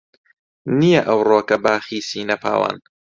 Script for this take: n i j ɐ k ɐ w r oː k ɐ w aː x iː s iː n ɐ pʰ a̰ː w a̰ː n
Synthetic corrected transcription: n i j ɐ ʔ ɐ w r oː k ɐ b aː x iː s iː n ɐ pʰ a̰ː w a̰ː n